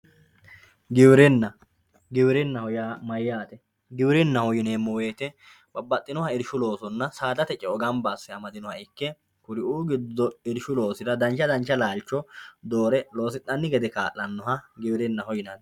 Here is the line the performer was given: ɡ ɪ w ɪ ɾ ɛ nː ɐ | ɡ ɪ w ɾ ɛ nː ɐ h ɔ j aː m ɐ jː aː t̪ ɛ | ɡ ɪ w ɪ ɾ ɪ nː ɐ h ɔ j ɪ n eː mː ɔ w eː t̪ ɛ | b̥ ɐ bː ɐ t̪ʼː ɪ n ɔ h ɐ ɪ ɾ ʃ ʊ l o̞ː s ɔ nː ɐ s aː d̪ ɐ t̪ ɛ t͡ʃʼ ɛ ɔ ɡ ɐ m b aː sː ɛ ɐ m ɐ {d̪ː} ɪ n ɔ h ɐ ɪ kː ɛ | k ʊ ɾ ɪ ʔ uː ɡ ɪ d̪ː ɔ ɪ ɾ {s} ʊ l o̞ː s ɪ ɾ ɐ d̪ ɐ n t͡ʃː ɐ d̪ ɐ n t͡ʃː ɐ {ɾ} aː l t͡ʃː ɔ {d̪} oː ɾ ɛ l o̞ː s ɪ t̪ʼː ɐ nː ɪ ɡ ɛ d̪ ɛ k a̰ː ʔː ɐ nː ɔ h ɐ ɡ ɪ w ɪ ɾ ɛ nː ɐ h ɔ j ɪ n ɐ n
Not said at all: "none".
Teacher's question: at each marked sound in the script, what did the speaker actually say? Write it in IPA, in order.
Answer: d̪, ʃ, l, d̪

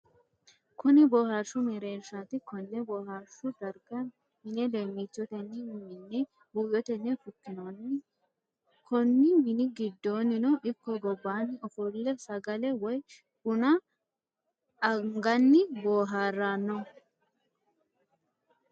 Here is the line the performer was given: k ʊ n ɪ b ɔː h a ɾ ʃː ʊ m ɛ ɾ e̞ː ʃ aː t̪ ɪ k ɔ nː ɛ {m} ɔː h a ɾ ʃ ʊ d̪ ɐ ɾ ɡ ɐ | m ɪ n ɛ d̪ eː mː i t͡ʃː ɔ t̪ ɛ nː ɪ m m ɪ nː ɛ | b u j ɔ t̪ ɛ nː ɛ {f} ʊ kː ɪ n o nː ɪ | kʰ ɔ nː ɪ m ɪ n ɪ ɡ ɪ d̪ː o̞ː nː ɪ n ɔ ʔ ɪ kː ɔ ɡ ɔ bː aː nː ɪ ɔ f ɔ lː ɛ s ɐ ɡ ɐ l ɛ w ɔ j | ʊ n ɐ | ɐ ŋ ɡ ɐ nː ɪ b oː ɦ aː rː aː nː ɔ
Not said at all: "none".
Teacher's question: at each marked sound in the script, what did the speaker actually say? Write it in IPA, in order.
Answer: b, f

